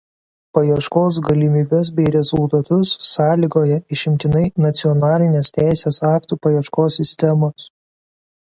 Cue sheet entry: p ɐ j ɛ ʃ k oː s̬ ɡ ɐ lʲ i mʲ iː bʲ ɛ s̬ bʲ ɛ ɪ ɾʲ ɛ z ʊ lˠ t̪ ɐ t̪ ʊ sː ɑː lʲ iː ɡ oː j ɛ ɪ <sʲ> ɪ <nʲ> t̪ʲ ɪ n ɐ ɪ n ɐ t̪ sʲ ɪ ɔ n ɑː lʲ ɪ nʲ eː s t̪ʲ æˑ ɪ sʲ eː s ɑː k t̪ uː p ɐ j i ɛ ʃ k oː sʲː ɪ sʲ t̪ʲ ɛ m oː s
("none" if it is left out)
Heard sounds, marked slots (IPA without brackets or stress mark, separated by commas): ʃʲ, mʲ